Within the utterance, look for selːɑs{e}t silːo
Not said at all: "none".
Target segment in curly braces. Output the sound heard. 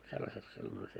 e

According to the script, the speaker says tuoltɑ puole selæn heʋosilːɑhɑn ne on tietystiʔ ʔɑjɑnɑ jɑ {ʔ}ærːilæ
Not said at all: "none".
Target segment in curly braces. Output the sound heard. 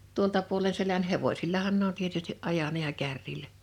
k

